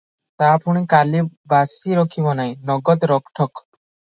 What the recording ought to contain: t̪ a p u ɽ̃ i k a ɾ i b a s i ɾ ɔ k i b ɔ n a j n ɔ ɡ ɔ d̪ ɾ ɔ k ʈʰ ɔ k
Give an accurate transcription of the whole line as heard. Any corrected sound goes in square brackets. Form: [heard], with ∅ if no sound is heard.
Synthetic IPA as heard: t̪ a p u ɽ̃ i k a [l] i b a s i ɾ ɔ [kʰ] i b ɔ n a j n ɔ ɡ ɔ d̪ ɾ ɔ k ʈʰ ɔ k

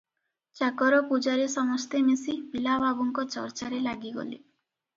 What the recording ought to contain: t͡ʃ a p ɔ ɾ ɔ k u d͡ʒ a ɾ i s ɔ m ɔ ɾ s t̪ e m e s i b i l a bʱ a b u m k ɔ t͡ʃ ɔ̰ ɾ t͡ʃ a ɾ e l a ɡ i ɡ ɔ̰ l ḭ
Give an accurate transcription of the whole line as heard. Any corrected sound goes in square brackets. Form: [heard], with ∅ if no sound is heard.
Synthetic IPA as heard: t͡ʃ a [k] ɔ ɾ ɔ [p] u d͡ʒ a ɾ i s ɔ m ɔ [∅] s t̪ e m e s i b i l a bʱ a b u [ŋ] k ɔ t͡ʃ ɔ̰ ɾ t͡ʃ a ɾ e l a ɡ i ɡ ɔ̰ l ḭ

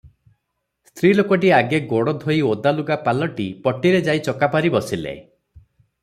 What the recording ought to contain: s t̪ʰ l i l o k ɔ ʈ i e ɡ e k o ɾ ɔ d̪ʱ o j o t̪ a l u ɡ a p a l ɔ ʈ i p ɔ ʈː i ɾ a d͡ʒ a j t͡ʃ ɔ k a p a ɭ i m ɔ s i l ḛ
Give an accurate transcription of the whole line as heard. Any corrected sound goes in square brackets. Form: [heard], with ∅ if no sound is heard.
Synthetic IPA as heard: s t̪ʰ [ɾ] i l o k ɔ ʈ i [a] ɡ e [ɡ] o [ɽ] ɔ d̪ʱ o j o [d̪] a l u ɡ a p a l ɔ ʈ i p ɔ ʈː i ɾ [e] d͡ʒ a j t͡ʃ ɔ k a p a [ɾ] i [b] ɔ s i l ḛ

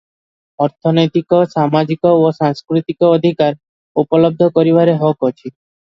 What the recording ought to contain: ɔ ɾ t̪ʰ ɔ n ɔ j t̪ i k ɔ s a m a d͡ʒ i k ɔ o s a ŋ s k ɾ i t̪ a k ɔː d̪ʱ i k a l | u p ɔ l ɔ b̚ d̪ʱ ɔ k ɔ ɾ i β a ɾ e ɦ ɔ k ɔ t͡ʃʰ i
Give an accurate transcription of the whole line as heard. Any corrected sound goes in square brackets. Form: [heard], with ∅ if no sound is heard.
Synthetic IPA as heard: ɔ ɾ t̪ʰ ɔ n ɔ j t̪ i k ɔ s a m a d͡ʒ i k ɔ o s a ŋ s k ɾ i t̪ [i] k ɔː d̪ʱ i k a [ɾ] | u p ɔ l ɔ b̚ d̪ʱ ɔ k ɔ ɾ i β a ɾ e ɦ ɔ k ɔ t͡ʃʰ i

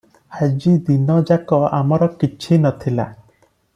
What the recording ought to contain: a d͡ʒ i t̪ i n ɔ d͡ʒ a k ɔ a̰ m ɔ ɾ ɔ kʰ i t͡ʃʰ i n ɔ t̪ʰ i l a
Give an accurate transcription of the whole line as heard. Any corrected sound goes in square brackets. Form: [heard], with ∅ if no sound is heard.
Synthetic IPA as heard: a d͡ʒ i [d̪] i n ɔ d͡ʒ a k ɔ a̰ m ɔ ɾ ɔ [k] i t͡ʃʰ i n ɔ t̪ʰ i l a

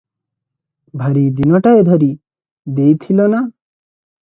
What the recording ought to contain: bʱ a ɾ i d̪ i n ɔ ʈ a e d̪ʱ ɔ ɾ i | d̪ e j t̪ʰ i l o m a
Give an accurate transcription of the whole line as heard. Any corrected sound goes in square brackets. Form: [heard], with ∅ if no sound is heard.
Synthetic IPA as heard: bʱ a ɾ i d̪ i n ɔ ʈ a e d̪ʱ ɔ ɾ i | d̪ e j t̪ʰ i l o [n] a

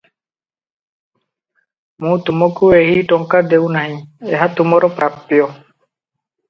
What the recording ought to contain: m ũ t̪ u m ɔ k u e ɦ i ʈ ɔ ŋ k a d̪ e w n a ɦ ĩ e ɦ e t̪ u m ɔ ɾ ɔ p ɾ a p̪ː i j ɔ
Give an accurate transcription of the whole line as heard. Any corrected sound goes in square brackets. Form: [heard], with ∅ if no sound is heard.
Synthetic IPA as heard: m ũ t̪ u m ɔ k u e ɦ i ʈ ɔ ŋ k a d̪ e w n a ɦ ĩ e ɦ [a] t̪ u m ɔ ɾ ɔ p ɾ a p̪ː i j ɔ

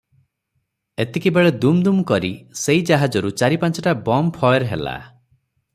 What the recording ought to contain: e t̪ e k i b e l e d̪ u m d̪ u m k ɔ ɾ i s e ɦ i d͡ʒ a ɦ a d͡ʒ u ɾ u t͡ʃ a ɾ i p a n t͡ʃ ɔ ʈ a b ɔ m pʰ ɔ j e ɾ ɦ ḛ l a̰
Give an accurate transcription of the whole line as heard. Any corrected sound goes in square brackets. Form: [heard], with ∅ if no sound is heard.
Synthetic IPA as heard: e t̪ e k i b e [ɭ] e d̪ u m d̪ u m k ɔ ɾ i s e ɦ i d͡ʒ a ɦ a d͡ʒ [ɔ] ɾ u t͡ʃ a ɾ i p a n t͡ʃ ɔ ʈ a b ɔ m pʰ ɔ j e ɾ ɦ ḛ l a̰

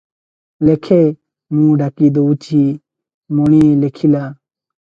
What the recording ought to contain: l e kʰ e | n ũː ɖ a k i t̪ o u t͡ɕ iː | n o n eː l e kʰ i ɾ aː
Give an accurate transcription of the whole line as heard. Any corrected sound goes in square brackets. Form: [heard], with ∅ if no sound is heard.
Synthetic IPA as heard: l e kʰ e | [m] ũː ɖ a k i [d̪] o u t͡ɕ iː | [m] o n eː l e kʰ i [l] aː

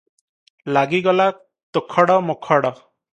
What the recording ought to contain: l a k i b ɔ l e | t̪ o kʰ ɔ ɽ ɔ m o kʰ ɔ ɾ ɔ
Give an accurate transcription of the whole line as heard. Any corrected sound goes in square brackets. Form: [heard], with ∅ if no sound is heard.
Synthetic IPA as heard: l a [ɡ] i [ɡ] ɔ l [a] | t̪ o kʰ ɔ ɽ ɔ m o kʰ ɔ [ɽ] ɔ

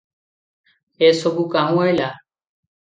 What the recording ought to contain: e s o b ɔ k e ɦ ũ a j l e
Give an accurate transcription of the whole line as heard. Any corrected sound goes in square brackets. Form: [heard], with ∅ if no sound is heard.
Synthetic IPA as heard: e s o b [u] k [a] ɦ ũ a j l [a]

